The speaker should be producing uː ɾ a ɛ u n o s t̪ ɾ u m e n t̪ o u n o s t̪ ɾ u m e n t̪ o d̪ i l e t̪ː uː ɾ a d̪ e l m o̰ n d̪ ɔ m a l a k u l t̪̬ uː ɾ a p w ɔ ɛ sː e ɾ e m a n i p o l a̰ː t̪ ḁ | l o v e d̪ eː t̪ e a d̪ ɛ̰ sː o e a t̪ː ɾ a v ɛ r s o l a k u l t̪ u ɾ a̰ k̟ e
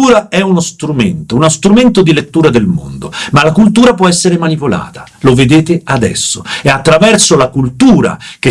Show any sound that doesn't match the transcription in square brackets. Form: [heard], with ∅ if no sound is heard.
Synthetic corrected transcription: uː ɾ a ɛ u n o s t̪ ɾ u m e n t̪ o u n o s t̪ ɾ u m e n t̪ o d̪ i l e t̪ː uː ɾ a d̪ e l m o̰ n d̪ [o] m a l a k u l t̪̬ uː ɾ a p w ɔ ɛ sː e ɾ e m a n i p o l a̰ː t̪ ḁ | l o v e d̪ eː t̪ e a d̪ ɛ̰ sː o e a t̪ː ɾ a v ɛ r s o l a k u l t̪ [uː] ɾ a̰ k̟ e